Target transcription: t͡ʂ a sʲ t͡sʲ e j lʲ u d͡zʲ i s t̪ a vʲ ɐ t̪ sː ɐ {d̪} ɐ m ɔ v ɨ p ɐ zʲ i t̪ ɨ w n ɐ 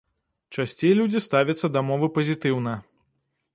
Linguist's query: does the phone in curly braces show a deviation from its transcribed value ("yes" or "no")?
no